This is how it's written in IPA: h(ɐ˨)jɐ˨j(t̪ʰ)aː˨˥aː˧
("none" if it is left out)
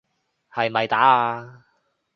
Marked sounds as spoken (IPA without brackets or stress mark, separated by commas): ɐ˨, t̪